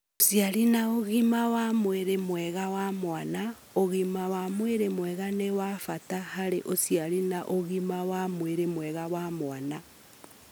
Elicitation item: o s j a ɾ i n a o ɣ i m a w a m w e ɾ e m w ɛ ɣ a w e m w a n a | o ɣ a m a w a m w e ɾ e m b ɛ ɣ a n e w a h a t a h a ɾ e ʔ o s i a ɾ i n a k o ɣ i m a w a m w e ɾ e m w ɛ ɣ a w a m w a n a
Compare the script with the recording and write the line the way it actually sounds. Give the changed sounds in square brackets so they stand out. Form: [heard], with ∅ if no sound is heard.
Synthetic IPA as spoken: o s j a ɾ i n a o ɣ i m a w a m w e ɾ e m w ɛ ɣ a w [a] m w a n a | o ɣ [i] m a w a m w e ɾ e m [w] ɛ ɣ a n e w a [f] a t a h a ɾ e ʔ o s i a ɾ i n a [ʔ] o ɣ i m a w a m w e ɾ e m w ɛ ɣ a w a m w a n a